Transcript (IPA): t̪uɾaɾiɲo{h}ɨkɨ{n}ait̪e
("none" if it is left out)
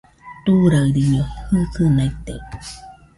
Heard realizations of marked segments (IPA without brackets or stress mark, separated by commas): h, n